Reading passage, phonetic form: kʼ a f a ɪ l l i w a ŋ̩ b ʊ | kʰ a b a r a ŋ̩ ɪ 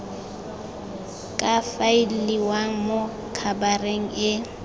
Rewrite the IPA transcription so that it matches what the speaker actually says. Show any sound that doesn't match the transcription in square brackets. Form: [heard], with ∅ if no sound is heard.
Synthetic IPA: kʼ a f a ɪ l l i w a ŋ̩ [m] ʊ | kʰ a b a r [e] ŋ̩ ɪ